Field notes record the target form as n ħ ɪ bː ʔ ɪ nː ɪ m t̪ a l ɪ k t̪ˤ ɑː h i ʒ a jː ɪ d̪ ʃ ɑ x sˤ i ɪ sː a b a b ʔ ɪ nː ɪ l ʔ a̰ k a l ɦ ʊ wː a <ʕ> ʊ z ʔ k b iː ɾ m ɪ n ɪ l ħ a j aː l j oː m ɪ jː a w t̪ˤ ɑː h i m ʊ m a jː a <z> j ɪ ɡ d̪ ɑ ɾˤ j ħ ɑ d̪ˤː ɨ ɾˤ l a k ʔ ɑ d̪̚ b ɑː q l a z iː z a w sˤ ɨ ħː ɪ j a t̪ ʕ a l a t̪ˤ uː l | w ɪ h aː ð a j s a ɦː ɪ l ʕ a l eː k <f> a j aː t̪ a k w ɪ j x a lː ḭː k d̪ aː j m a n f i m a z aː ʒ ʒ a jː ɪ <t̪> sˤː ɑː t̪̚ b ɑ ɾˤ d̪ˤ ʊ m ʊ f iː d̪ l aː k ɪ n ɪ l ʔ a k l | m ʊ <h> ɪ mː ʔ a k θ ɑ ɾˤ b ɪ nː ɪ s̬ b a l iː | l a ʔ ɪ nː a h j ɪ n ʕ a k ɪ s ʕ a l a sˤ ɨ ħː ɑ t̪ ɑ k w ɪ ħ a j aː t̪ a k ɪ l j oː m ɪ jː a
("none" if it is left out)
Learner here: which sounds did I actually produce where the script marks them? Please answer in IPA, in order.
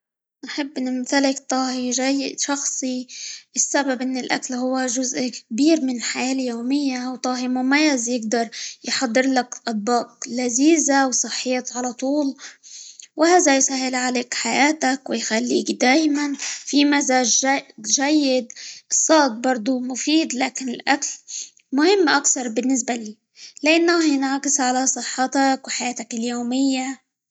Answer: ʒ, z, ħ, d̪, h

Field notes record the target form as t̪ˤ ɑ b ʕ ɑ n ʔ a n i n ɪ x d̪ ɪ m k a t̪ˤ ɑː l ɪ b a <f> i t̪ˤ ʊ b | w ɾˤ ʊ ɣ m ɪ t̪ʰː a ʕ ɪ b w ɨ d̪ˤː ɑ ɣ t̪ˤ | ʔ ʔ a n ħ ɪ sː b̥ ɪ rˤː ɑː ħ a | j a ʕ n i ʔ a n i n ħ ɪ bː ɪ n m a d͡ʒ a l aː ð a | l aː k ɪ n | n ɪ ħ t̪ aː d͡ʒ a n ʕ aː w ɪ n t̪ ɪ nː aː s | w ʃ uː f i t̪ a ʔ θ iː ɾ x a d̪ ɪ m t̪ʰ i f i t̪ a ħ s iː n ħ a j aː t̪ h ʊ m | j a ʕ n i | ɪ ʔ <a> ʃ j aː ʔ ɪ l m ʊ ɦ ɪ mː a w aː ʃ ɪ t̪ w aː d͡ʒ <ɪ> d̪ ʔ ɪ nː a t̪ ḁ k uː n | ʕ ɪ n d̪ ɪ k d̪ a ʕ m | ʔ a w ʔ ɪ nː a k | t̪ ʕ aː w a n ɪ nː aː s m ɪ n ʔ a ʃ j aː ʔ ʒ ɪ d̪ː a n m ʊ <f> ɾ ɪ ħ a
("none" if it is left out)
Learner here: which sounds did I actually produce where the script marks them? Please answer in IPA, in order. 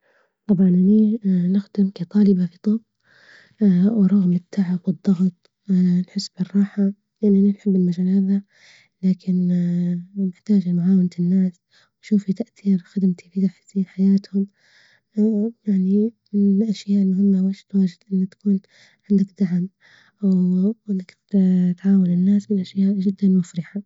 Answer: f, a, ɪ, f

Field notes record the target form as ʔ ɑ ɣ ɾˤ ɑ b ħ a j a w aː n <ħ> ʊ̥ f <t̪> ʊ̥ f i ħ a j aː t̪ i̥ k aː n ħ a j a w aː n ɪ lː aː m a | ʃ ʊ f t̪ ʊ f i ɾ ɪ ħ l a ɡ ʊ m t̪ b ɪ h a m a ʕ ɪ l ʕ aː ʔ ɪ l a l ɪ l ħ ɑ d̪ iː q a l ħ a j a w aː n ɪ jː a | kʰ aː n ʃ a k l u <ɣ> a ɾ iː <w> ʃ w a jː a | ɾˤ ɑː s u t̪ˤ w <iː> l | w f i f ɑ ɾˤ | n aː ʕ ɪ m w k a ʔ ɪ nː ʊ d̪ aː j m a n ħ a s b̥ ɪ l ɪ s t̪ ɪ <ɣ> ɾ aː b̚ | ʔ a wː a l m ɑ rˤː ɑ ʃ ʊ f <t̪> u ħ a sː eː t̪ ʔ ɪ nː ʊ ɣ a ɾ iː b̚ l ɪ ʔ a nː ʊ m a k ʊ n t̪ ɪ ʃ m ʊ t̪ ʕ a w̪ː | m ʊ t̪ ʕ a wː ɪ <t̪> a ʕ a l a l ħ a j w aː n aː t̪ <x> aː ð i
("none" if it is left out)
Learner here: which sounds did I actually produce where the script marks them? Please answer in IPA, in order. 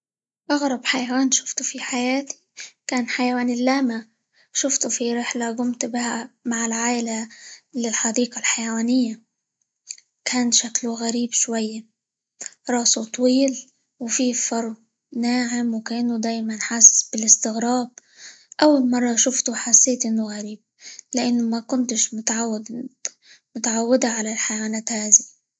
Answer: ʃ, t̪, ɣ, b, iː, ɣ, t̪, d̪, h

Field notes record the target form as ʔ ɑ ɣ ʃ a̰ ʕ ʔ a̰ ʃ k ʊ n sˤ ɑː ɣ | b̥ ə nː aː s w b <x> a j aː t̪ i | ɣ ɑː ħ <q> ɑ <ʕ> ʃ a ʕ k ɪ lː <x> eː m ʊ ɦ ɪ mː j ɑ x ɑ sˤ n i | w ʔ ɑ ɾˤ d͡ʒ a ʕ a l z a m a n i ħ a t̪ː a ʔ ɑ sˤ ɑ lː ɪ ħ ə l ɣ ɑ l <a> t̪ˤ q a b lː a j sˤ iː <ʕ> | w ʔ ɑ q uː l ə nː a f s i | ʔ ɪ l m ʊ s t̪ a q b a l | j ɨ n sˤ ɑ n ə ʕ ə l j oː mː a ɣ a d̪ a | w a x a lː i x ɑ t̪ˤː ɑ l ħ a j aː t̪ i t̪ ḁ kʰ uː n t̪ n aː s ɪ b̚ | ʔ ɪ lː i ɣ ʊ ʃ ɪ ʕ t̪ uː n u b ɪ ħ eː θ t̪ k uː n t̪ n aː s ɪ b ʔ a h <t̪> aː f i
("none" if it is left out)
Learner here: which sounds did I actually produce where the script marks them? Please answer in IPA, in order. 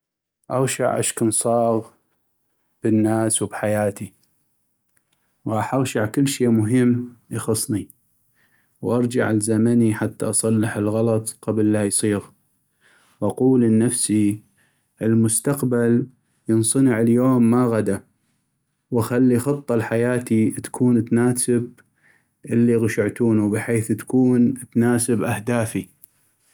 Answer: ħ, ʔ, ɣ, ʃ, ɑ, ɣ, d̪

